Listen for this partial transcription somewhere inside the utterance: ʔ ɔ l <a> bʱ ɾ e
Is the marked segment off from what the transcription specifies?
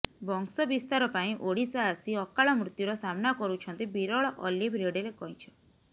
yes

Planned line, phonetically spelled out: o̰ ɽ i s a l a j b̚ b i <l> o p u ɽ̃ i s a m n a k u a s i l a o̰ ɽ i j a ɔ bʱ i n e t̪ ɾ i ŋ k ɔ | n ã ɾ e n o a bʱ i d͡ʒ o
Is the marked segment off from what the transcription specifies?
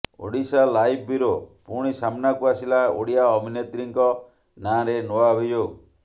yes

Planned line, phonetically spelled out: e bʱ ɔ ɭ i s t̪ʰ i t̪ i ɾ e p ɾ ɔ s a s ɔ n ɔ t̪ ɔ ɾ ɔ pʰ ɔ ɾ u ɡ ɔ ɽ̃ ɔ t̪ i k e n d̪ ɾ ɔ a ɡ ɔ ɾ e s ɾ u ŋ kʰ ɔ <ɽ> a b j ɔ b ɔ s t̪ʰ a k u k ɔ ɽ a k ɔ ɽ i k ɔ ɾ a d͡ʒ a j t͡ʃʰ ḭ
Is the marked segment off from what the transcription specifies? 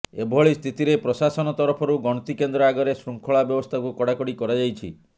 yes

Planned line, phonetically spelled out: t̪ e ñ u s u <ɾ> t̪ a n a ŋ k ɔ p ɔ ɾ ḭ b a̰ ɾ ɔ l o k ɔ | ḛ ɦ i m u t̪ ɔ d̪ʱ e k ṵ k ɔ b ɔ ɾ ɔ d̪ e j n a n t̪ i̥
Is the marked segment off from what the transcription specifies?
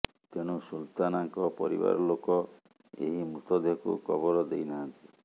yes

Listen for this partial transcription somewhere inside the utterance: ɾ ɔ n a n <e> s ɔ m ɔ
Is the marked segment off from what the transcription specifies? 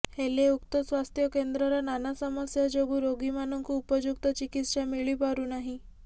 yes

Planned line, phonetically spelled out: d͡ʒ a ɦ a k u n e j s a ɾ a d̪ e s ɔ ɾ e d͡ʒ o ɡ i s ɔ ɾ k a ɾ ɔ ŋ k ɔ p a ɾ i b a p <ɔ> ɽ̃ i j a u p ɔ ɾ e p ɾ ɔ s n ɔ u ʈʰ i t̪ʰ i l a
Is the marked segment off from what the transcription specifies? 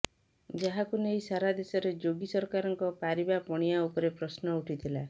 no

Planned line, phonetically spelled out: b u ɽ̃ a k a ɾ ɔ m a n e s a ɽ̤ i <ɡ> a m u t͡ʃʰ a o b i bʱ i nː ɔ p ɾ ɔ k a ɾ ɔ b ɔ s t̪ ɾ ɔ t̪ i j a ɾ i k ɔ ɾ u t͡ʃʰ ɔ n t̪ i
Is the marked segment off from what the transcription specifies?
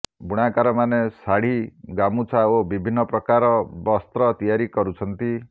no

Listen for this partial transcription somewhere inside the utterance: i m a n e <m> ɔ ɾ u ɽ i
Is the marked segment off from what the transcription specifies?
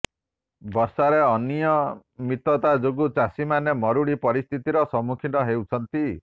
no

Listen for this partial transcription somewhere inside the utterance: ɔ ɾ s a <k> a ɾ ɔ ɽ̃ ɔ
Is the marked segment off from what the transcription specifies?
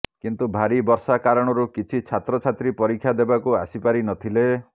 no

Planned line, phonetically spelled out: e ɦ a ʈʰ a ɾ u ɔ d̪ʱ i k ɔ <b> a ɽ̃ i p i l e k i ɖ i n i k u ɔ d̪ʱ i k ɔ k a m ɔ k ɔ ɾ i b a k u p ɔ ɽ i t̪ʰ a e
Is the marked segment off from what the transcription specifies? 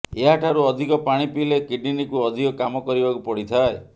yes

